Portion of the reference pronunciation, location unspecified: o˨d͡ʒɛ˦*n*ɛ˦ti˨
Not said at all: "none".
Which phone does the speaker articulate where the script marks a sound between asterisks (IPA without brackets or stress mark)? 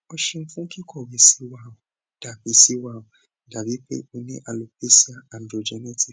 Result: n